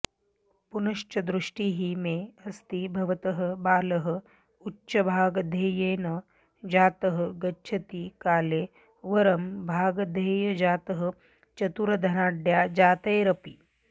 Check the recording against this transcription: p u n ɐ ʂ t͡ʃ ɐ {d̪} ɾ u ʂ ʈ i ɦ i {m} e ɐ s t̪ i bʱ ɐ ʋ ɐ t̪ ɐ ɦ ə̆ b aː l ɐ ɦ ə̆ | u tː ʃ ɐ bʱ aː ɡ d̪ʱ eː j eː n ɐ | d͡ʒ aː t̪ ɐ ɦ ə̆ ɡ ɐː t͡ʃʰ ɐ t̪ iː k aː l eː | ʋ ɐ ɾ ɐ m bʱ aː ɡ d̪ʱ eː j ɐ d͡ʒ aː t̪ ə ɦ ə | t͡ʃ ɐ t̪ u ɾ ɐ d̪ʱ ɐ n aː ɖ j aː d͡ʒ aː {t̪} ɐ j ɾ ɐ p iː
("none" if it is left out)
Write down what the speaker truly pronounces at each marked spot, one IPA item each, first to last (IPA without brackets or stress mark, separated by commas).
d̪, m, t̪